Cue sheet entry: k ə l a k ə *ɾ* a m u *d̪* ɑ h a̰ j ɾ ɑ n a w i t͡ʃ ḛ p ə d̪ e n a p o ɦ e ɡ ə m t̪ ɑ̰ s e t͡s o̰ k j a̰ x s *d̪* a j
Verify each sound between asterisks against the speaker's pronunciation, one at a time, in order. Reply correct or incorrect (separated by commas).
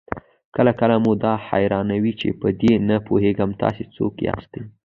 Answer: incorrect, correct, incorrect